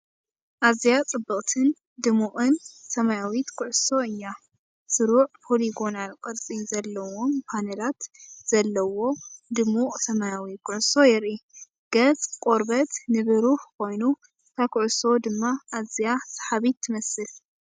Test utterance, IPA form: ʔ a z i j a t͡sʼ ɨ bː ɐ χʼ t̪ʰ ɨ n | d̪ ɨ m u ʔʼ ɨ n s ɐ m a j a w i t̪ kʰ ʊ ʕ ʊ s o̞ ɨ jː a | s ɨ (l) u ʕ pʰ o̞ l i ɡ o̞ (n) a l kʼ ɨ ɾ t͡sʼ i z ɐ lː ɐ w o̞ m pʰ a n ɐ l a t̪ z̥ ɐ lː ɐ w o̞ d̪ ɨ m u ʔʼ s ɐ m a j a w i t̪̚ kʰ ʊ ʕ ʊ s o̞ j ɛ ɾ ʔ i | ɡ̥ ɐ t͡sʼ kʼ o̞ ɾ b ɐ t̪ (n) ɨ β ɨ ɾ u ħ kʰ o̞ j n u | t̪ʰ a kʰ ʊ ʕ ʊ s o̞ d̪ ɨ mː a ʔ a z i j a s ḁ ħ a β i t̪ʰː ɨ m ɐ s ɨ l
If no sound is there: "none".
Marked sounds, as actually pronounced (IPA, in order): ɾ, n, n

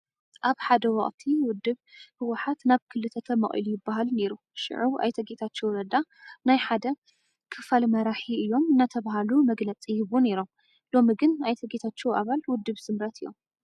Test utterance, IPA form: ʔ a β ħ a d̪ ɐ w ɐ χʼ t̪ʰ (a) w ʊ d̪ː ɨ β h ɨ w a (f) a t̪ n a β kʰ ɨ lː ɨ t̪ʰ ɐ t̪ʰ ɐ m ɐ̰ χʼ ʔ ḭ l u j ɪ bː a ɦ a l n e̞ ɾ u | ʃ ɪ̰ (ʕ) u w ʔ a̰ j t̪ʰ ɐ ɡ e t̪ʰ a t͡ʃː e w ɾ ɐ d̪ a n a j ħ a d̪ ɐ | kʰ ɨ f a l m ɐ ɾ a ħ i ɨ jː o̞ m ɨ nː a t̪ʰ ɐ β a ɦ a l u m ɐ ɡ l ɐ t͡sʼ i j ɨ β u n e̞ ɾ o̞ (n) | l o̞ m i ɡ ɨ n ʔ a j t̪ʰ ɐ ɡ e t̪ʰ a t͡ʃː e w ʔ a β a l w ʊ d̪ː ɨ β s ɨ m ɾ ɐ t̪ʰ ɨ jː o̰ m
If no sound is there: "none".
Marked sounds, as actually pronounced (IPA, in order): i, ħ, ʕ, m

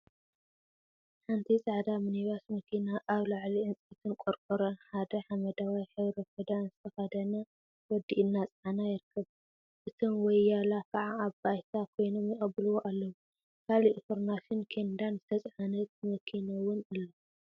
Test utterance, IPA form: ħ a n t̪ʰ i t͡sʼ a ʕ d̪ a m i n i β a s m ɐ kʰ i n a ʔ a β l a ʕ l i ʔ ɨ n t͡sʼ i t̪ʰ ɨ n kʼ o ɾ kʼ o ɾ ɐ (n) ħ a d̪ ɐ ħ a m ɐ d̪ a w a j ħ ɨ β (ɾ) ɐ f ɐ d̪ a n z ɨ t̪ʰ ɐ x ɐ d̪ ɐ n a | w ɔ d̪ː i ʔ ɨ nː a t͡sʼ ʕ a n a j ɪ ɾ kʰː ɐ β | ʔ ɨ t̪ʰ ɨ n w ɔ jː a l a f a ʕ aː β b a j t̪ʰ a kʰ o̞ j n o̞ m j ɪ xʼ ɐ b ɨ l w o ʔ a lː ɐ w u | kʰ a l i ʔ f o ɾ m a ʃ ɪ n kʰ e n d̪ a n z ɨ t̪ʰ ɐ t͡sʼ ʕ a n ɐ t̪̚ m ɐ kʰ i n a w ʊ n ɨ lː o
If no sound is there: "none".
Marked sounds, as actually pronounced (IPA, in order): n, ɾ

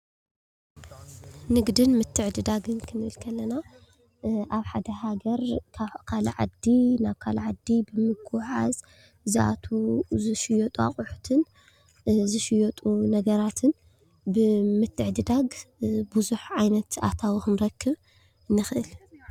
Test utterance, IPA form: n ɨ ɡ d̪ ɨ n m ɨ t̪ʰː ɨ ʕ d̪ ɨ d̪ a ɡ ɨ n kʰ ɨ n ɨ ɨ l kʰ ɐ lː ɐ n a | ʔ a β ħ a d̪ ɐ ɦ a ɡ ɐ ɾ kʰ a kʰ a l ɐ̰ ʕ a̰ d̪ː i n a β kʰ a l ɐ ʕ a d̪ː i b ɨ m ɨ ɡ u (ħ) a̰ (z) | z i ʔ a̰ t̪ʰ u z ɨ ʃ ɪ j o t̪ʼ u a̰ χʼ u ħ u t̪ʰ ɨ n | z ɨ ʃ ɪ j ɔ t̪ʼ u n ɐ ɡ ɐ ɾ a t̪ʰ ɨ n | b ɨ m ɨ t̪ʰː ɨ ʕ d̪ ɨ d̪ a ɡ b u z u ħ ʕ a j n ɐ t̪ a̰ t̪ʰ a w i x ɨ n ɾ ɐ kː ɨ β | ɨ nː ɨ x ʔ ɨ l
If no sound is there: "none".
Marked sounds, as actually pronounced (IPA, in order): ħ, z

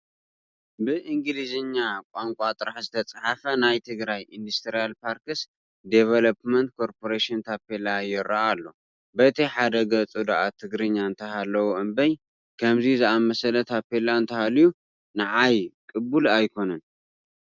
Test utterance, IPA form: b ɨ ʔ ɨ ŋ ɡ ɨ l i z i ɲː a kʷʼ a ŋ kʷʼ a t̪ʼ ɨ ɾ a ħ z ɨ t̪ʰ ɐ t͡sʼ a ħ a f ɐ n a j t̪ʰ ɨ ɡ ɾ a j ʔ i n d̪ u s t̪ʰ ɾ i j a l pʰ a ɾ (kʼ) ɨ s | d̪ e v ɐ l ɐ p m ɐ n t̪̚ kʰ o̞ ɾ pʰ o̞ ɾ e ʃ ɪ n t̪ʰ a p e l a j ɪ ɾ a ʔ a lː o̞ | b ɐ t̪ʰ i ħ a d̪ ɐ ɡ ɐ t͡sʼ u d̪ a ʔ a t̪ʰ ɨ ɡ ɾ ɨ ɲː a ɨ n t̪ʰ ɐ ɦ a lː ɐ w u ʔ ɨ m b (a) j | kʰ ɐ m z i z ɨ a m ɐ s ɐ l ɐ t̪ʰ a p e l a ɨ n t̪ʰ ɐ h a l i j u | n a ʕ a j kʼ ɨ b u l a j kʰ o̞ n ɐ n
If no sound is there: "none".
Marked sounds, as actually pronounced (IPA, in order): k, ɐ

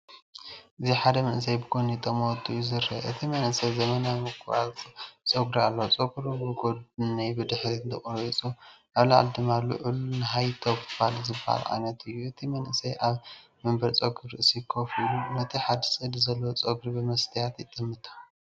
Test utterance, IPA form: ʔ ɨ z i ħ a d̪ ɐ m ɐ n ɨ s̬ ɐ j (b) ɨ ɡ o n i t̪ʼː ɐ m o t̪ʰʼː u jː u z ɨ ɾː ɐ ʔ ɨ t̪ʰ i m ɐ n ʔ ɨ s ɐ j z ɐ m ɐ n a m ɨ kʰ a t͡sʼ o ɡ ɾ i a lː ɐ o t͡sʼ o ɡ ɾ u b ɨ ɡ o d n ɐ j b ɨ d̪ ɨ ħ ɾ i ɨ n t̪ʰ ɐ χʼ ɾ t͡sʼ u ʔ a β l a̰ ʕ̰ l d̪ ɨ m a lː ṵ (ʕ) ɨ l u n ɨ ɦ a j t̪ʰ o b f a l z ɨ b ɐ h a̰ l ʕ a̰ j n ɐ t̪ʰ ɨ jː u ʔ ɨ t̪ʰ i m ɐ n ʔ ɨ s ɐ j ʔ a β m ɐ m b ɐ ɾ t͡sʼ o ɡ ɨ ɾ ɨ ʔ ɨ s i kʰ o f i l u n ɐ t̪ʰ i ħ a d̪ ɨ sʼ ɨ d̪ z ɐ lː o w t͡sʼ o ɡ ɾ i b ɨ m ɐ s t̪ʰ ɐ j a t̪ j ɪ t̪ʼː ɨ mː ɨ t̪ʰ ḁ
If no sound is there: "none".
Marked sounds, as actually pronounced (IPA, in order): b, ʕ

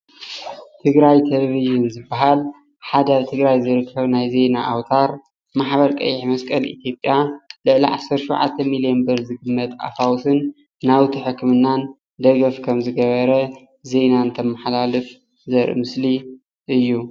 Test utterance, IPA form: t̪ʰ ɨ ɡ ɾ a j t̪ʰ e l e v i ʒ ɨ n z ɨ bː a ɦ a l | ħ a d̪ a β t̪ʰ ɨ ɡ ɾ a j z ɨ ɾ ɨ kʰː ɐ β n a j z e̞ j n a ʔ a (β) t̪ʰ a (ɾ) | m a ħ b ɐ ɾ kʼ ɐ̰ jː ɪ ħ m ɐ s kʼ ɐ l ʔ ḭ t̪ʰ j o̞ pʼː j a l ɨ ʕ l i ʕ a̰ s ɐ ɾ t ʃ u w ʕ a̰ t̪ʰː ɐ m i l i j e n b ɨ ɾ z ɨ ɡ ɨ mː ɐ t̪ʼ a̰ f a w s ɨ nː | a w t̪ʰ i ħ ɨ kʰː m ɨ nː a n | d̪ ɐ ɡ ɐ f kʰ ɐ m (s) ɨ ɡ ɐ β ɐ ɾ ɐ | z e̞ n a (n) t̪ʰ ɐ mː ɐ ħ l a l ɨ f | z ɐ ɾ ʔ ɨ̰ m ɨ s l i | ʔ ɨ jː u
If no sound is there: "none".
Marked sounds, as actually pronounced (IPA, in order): w, ɾ, z, n

